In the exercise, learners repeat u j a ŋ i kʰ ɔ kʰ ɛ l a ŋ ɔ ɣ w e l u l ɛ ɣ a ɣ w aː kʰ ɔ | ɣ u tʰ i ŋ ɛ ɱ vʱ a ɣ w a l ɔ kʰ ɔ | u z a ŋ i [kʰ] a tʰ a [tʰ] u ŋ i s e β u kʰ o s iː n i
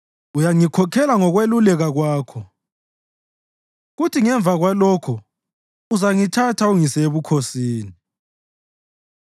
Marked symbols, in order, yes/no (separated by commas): no, no